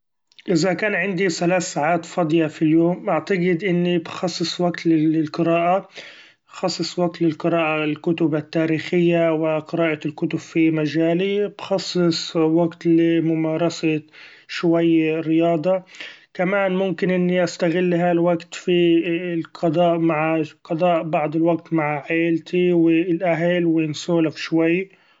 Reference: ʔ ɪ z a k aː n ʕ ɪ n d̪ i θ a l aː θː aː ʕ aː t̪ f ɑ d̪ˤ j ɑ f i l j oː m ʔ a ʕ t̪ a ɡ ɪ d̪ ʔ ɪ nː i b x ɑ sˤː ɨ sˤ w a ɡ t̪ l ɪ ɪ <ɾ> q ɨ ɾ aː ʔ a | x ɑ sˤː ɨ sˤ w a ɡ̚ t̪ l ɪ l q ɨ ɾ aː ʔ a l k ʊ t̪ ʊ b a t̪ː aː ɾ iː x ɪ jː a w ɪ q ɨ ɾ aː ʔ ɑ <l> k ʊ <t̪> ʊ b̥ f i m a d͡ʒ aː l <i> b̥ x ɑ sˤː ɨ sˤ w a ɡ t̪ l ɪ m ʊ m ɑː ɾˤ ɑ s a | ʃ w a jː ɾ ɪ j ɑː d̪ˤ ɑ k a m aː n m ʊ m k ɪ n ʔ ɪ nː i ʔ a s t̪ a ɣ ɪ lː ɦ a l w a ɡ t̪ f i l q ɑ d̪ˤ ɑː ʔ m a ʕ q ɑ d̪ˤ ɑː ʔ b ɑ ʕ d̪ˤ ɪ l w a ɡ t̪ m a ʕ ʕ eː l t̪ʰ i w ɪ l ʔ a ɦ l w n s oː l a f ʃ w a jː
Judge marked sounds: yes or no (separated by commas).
no, yes, yes, yes